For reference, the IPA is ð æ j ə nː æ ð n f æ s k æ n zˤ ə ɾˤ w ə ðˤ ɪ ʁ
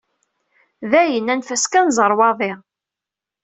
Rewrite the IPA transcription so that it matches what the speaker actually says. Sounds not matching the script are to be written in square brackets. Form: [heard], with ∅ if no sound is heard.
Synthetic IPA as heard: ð æ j ə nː æ [∅] n f æ s k æ n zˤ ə ɾˤ w [ɑ] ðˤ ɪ ʁ